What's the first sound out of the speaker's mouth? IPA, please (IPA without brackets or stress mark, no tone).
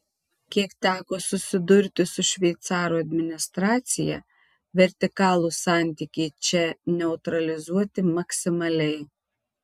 kʲ